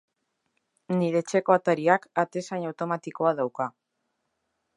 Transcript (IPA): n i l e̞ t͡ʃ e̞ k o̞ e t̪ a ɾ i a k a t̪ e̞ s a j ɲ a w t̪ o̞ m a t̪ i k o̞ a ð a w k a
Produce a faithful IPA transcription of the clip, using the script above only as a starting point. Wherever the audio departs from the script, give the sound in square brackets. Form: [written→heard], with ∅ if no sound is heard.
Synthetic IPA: n i [l→ɾ] e̞ t͡ʃ e̞ k o̞ [e→a] t̪ a ɾ i a k a t̪ e̞ s a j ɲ a w t̪ o̞ m a t̪ i k o̞ a ð a w k a